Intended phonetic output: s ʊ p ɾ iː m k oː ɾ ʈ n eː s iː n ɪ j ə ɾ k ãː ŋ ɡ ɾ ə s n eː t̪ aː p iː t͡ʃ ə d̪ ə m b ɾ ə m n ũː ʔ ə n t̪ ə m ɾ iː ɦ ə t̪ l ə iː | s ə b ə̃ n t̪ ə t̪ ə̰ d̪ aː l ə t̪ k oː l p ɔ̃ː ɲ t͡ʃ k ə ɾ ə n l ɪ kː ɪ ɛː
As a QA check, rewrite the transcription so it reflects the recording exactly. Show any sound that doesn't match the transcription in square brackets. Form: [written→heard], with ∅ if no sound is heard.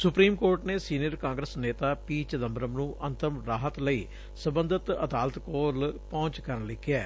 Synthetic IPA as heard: s ʊ p ɾ iː m k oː ɾ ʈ n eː s iː n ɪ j ə ɾ k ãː ŋ ɡ ɾ ə s n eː t̪ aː p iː t͡ʃ ə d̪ ə m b ɾ ə m n ũː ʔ ə n t̪ ə m ɾ [iː→aː] ɦ ə t̪ l ə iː | s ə b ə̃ n [t̪→d̪] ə t̪ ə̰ d̪ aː l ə t̪ k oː l p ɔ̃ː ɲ t͡ʃ k ə ɾ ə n l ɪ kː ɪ ɛː